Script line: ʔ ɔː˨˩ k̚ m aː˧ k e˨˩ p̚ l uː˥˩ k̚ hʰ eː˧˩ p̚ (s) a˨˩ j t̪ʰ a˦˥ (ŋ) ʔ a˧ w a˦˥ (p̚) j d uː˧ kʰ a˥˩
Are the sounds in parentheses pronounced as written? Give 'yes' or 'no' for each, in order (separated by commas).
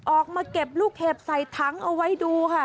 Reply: yes, yes, no